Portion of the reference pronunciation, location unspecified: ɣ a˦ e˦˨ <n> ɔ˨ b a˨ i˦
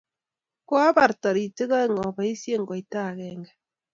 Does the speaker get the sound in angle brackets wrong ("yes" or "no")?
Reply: yes